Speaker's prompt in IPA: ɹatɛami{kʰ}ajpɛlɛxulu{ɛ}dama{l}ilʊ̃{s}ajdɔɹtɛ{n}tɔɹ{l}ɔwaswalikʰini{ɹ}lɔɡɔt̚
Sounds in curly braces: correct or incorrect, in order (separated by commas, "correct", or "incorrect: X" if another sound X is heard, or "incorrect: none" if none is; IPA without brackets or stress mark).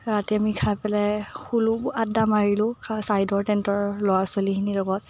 correct, incorrect: a, incorrect: ɹ, correct, correct, correct, incorrect: none